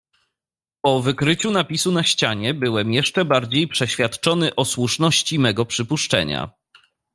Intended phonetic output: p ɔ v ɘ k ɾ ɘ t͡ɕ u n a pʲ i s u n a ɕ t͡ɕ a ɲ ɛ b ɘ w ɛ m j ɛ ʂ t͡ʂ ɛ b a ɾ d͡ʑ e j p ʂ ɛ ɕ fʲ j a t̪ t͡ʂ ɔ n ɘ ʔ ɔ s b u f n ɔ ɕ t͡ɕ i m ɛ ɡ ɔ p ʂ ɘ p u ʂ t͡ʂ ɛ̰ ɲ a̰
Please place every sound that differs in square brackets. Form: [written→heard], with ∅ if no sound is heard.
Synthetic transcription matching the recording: p ɔ v ɘ k ɾ ɘ t͡ɕ u n a pʲ i s u n a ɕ t͡ɕ a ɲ ɛ b ɘ w ɛ m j ɛ ʂ t͡ʂ ɛ b a ɾ d͡ʑ e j p ʂ ɛ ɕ fʲ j a t̪ t͡ʂ ɔ n ɘ ʔ ɔ s [b→w] u [f→ʂ] n ɔ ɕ t͡ɕ i m ɛ ɡ ɔ p ʂ ɘ p u ʂ t͡ʂ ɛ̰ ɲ a̰